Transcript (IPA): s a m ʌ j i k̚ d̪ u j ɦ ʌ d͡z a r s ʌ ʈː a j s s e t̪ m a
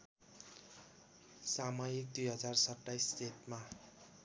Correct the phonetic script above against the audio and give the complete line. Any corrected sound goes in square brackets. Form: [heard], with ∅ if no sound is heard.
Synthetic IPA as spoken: s a m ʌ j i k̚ d̪ u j ɦ ʌ d͡z a r s ʌ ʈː a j s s e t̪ m a

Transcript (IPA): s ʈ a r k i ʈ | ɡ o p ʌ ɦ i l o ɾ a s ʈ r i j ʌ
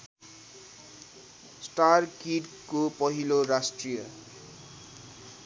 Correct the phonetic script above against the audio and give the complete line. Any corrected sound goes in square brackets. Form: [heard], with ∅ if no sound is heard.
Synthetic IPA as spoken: s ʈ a r k i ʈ | [k] o p ʌ ɦ i l o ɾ a s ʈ r i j ʌ

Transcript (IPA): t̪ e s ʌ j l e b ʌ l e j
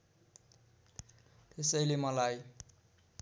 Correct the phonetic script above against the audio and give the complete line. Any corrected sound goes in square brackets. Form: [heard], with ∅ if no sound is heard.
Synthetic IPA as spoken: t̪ e s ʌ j l e [m] ʌ l [a] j

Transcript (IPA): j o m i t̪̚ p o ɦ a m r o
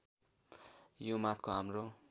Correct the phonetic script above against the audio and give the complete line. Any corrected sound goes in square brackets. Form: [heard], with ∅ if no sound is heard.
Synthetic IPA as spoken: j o m [a] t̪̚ [k] o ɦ a m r o

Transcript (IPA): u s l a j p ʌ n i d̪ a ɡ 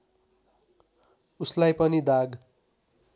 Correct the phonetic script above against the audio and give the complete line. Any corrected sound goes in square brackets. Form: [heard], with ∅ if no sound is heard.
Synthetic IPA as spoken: u s l a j p ʌ n i d̪ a ɡ

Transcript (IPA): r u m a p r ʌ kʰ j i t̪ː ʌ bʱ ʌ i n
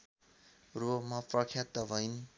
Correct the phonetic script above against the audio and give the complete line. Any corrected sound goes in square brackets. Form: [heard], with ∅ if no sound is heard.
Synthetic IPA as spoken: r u m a p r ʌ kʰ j [a] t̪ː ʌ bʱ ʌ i n

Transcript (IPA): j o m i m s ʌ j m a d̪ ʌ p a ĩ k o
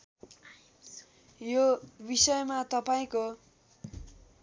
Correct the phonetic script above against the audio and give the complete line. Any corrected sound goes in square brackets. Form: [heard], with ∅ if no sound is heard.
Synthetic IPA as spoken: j o [b] i [∅] s ʌ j m a [t̪] ʌ p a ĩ k o

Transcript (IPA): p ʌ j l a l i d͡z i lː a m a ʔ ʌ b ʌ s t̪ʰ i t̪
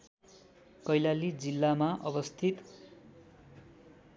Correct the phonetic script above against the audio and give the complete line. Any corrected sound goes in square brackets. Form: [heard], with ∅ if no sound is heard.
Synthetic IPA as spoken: [k] ʌ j l a l i d͡z i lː a m a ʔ ʌ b ʌ s t̪ʰ i t̪

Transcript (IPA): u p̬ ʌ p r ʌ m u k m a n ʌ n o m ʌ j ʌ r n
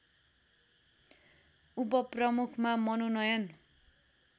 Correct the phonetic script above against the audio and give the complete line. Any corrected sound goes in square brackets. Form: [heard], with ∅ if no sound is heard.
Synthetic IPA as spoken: u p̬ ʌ p r ʌ m u [kʰ] m a [m] ʌ n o [n] ʌ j ʌ [∅] n

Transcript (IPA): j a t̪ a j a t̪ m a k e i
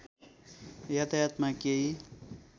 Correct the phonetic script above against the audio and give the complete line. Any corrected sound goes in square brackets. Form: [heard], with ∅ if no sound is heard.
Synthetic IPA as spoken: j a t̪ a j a t̪ m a k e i

